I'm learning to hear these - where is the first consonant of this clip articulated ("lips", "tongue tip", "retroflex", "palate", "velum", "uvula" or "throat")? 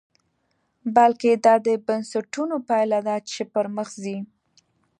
lips